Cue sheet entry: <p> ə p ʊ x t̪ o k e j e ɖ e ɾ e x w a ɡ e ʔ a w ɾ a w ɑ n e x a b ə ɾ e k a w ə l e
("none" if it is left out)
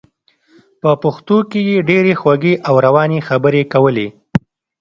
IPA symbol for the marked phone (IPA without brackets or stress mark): p